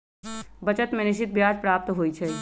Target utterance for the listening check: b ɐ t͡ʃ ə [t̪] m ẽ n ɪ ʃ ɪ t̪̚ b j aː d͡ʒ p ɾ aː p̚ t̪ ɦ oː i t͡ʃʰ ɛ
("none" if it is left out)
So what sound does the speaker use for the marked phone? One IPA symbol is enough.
t̪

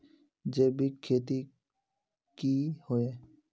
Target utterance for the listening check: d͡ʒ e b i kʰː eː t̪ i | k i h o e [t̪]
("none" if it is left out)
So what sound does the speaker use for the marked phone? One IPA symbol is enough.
none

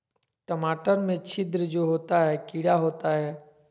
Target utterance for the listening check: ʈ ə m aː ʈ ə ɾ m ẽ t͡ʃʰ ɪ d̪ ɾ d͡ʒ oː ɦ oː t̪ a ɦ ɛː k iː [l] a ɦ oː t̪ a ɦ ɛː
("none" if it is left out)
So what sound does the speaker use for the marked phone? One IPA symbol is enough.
ɽ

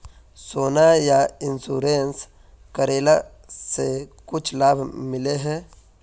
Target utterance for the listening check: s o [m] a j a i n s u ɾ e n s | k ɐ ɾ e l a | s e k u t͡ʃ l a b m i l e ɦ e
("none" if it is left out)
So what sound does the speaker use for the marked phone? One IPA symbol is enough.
n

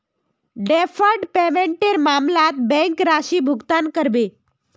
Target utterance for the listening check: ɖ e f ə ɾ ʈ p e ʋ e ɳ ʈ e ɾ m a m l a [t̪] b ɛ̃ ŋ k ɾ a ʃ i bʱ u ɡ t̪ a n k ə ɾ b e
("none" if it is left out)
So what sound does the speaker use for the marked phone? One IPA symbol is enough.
t̪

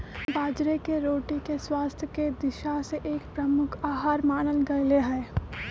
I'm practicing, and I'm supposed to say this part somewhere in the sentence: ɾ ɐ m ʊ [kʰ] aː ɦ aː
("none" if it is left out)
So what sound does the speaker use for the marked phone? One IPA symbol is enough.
kʰ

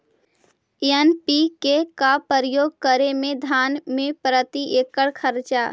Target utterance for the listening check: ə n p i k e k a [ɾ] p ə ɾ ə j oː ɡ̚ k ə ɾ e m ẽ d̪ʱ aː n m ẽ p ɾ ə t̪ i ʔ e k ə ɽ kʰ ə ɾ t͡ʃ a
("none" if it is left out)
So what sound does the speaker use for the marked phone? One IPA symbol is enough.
none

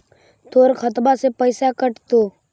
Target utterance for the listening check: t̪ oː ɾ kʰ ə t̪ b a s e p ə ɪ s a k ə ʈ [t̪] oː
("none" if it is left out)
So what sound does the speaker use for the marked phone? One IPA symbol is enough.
t̪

